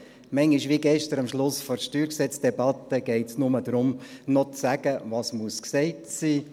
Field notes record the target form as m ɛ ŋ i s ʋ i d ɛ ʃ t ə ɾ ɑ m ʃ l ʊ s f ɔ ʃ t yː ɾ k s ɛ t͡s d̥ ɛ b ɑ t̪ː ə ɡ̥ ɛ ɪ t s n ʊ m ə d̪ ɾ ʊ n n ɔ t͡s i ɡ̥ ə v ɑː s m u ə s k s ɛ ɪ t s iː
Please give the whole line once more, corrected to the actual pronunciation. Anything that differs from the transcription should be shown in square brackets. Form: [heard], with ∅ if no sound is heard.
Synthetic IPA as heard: m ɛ ŋ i [ʃ] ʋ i [ɡ] ɛ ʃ t ə ɾ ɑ m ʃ l ʊ s f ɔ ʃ t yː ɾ k s ɛ t͡s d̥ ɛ b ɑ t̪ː ə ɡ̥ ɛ ɪ t s n ʊ m ə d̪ ɾ ʊ [m] n ɔ t͡s [æ] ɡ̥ ə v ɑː s m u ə s k s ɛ ɪ t s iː